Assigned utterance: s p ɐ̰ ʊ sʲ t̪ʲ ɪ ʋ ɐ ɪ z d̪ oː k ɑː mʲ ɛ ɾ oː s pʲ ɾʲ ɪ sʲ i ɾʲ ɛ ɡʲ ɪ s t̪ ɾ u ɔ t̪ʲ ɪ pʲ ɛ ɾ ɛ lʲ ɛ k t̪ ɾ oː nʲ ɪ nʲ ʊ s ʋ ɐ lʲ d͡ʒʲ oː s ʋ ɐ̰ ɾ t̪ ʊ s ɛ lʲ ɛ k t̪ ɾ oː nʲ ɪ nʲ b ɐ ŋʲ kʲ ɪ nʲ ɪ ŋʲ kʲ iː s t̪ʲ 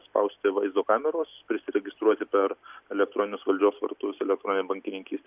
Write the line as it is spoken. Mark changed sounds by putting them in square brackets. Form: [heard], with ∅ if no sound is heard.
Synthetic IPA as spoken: s p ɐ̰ ʊ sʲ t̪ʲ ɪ ʋ ɐ ɪ z d̪ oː k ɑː mʲ ɛ ɾ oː s pʲ ɾʲ ɪ sʲ [ɪ] ɾʲ ɛ ɡʲ ɪ s t̪ ɾ u ɔ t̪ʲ ɪ pʲ ɛ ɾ ɛ lʲ ɛ k t̪ ɾ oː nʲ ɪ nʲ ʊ s ʋ ɐ lʲ d͡ʒʲ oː s ʋ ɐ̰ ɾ t̪ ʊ s ɛ lʲ ɛ k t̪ ɾ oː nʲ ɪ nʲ b ɐ ŋʲ kʲ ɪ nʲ ɪ ŋʲ kʲ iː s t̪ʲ